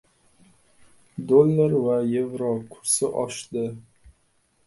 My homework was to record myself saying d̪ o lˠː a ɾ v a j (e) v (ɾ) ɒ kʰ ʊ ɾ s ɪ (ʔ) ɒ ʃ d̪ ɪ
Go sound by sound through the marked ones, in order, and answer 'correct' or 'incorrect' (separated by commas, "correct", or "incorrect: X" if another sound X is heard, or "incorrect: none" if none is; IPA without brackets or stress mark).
correct, correct, correct